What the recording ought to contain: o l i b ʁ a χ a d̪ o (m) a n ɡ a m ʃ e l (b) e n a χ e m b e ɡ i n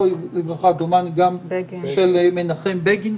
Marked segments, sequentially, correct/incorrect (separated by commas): correct, incorrect